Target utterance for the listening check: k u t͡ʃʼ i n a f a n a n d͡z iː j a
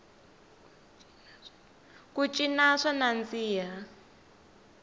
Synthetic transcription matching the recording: k u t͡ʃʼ i n a ʂ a n a n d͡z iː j a